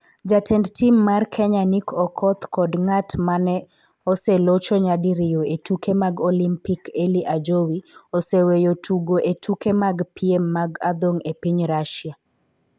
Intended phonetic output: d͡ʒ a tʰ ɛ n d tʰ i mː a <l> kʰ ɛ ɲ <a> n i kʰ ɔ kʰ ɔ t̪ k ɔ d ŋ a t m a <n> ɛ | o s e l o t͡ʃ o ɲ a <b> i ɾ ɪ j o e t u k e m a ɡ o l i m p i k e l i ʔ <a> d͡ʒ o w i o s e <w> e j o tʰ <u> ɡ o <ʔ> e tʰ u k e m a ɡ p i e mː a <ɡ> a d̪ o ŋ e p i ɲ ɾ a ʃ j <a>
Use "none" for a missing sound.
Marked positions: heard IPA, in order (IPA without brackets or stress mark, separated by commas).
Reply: r, a, n, d, a, w, u, ʔ, ɡ, a